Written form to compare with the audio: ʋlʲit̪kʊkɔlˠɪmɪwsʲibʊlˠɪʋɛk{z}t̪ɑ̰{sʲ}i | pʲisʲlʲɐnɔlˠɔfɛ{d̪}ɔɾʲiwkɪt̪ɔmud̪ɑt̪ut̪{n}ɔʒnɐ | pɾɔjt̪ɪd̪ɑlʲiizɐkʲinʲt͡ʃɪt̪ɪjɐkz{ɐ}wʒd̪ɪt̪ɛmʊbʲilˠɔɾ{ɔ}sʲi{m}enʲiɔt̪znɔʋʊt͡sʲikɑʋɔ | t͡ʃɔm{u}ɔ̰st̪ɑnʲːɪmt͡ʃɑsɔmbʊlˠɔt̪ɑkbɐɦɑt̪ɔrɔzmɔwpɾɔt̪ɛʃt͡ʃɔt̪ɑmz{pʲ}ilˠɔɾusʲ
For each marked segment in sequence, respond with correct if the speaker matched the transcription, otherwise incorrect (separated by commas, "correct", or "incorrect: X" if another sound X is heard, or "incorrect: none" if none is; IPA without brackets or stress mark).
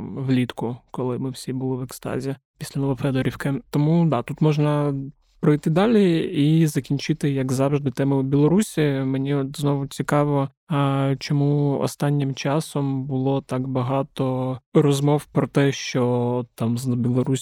incorrect: s, incorrect: zʲ, correct, incorrect: m, incorrect: ɑ, incorrect: u, correct, correct, incorrect: bʲ